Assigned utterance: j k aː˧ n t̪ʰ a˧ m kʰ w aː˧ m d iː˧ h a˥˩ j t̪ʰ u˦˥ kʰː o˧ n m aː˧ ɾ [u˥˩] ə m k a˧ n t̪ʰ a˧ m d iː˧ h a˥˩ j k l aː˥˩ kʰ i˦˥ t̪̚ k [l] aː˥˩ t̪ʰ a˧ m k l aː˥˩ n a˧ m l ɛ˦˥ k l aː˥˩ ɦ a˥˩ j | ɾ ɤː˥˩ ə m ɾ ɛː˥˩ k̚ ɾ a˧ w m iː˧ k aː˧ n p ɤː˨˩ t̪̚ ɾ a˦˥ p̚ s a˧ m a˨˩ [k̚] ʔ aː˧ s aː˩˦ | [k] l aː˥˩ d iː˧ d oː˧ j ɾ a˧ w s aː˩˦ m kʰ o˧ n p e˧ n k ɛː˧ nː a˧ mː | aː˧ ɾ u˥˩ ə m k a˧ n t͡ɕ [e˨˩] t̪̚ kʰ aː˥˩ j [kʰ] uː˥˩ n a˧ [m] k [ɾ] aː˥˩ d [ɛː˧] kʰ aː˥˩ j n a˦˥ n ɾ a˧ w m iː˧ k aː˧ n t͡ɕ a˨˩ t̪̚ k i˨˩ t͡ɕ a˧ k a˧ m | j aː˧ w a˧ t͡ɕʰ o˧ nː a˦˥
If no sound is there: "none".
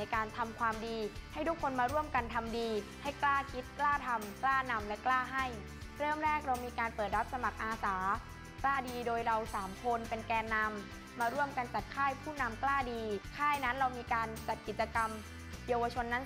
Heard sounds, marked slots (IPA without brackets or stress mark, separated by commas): u˥˩, l, k̚, k, a˨˩, pʰ, m, l, iː˧